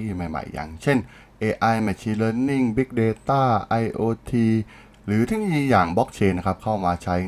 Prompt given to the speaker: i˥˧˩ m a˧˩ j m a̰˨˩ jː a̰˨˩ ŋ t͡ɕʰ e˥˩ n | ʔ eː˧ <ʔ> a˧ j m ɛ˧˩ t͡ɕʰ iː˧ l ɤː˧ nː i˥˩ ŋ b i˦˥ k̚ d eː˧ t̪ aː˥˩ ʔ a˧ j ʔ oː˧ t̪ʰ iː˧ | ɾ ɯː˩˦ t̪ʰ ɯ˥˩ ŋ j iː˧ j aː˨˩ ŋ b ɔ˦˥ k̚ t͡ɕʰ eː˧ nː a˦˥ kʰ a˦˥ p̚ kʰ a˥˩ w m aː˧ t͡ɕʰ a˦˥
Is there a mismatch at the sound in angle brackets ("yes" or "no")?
no